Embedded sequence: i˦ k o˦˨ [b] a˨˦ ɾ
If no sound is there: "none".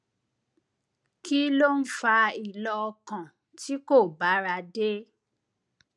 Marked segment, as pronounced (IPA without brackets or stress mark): b